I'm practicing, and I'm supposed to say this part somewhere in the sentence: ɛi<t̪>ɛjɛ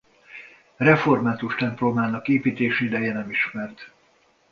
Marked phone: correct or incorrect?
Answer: incorrect